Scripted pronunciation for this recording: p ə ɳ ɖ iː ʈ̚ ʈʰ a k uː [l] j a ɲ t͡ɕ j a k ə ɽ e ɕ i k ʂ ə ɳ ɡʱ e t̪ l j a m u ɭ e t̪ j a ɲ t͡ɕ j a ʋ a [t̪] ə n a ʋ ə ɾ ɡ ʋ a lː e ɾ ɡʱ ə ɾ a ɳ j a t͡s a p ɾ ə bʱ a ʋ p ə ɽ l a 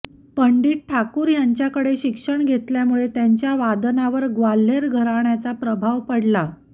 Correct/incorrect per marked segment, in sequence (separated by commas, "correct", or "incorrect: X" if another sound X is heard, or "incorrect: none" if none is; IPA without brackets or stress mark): incorrect: ɾ, incorrect: d̪